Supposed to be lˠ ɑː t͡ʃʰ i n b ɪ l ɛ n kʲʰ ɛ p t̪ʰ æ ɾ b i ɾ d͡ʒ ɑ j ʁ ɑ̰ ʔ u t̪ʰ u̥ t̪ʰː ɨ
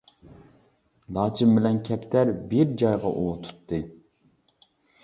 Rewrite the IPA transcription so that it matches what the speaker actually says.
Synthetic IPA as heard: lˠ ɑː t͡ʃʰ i m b ɪ l ɛ n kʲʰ ɛ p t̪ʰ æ ɾ b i ɾ d͡ʒ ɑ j ʁ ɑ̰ ʔ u t̪ʰ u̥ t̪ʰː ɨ